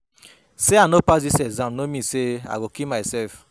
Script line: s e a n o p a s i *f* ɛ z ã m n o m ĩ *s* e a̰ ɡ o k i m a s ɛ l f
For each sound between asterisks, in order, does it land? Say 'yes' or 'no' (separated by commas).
no, yes